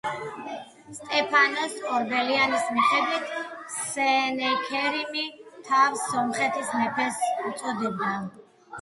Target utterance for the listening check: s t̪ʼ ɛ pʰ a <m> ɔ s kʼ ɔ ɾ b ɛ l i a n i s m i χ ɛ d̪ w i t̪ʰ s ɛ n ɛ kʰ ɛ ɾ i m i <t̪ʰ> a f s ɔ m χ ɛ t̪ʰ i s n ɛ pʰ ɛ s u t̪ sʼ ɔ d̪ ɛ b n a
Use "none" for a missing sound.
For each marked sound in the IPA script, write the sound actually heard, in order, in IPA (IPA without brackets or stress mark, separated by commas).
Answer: n, t̪ʰ